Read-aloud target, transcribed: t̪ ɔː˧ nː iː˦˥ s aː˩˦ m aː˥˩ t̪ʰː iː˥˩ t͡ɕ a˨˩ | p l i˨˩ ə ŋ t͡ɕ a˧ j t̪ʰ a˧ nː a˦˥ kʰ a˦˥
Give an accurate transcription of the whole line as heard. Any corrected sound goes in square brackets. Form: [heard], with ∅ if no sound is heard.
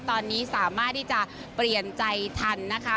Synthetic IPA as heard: t̪ ɔː˧ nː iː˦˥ s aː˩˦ m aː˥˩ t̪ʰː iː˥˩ t͡ɕ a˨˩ | p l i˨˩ ə [n] t͡ɕ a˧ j t̪ʰ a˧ nː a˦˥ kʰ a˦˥